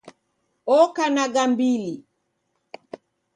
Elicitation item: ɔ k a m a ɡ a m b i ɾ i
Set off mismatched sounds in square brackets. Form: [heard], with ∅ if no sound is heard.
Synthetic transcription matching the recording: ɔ k a [n] a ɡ a m b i [l] i

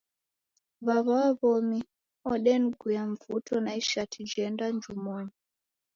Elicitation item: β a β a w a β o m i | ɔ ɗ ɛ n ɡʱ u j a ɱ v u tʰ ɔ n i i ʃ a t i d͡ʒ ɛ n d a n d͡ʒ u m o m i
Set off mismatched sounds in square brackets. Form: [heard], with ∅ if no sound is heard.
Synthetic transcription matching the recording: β a β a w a β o m i | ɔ ɗ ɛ n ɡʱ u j a ɱ v u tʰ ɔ n [a] i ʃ a t i d͡ʒ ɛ n d a n d͡ʒ u m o [ɲ] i

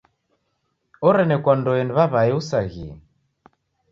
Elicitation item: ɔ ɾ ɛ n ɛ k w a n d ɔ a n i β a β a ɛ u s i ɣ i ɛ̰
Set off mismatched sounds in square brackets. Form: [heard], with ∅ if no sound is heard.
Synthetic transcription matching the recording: ɔ ɾ ɛ n ɛ k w a n d ɔ [ɛ] n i β a β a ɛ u s [a] ɣ i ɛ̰

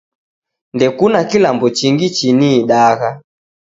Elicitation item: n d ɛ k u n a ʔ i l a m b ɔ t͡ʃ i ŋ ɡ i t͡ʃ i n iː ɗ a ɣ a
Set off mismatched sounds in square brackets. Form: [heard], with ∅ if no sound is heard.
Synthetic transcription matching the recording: n d ɛ k u n a [k] i l a m b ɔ t͡ʃ i ŋ ɡ i t͡ʃ i n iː ɗ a ɣ a

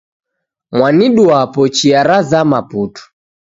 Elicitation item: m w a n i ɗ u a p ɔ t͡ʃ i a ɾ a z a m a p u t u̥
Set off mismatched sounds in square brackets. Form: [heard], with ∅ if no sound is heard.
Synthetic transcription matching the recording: m w a n i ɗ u a p ɔ t͡ʃ i a ɾ a z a m a p u t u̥

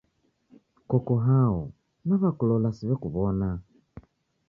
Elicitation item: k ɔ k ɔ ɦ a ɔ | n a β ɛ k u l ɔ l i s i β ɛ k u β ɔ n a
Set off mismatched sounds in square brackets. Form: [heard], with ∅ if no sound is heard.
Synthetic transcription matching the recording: k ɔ k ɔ ɦ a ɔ | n a β [a] k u l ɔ l [a] s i β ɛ k u β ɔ n a

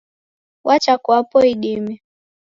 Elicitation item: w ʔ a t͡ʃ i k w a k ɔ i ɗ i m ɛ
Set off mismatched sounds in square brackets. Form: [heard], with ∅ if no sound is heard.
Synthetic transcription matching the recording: w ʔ a t͡ʃ [a] k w a [p] ɔ i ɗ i m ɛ

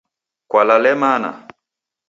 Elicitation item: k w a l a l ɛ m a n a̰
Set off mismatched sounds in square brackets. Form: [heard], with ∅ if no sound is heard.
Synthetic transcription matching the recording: k w a l a l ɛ m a n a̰

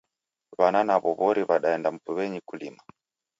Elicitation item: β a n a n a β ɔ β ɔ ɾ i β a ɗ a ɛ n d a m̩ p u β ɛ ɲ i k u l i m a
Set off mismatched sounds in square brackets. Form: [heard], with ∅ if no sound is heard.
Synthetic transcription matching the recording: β a n a n a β ɔ β ɔ ɾ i β a ɗ a ɛ n d a m̩ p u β ɛ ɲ i k u l i m a

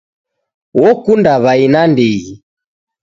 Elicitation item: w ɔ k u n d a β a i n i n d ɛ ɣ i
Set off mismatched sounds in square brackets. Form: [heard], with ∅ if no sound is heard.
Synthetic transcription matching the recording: w ɔ k u n d a β a i n [a] n d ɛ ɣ i

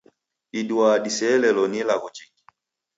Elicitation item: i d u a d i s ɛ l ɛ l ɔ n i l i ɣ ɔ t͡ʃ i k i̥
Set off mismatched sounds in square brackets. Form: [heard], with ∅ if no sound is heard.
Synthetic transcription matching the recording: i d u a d i s ɛ l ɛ l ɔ n i l [a] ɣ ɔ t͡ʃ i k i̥

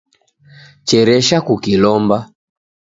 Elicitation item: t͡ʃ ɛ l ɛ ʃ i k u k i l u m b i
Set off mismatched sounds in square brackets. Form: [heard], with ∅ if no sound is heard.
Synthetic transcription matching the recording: t͡ʃ ɛ [ɾ] ɛ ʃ [a] k u k i l [ɔ] m b [a]

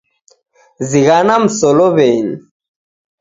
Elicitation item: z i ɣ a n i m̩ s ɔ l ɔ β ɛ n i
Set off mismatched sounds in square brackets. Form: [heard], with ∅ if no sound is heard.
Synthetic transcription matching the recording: z i ɣ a n [a] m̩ s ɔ l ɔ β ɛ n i

